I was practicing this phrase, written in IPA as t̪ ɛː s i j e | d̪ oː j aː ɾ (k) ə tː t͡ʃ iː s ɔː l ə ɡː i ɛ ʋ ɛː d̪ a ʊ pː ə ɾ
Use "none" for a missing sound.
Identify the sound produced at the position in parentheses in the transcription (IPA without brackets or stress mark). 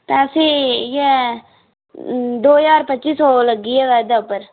p